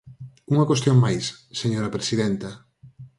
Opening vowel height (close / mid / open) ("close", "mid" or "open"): close